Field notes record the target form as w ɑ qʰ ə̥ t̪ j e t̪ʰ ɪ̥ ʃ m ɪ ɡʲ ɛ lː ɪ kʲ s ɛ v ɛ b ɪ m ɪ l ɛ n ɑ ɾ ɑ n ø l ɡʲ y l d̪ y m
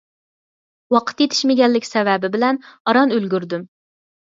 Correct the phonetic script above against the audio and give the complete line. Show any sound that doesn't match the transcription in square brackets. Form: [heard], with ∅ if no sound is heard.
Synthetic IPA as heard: w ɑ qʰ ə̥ t̪ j e t̪ʰ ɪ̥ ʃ m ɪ ɡʲ ɛ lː ɪ kʲ s ɛ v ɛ b ɪ [b] ɪ l ɛ n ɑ ɾ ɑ n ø l ɡʲ y [ɾ] d̪ y m